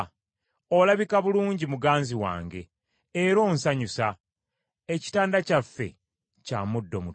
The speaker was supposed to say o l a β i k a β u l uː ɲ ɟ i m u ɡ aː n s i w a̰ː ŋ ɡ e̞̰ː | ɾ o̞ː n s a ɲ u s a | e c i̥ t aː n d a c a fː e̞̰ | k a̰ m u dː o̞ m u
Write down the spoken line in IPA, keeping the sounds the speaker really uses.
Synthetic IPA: o l a β i k a β u l uː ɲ ɟ i m u ɡ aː n z i w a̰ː ŋ ɡ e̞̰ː | ɾ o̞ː n s a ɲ u s a | e c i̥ t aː n d a c a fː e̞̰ | c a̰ m u dː o̞ m u